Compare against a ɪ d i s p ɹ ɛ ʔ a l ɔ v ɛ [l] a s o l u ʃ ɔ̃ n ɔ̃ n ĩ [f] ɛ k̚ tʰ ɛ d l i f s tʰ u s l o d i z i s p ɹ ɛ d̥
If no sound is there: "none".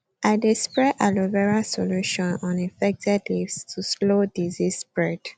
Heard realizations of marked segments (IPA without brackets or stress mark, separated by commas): ɹ, f